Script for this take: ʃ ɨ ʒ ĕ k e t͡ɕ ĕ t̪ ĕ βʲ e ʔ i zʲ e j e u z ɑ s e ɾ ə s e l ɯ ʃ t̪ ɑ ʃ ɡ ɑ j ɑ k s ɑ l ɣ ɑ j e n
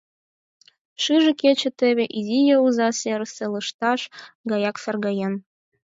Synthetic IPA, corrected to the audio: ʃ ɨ ʒ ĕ k e t͡ɕ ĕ t̪ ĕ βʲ e ʔ i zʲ i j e u z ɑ s e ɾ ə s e l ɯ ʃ t̪ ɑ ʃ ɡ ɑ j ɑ k s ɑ r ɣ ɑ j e n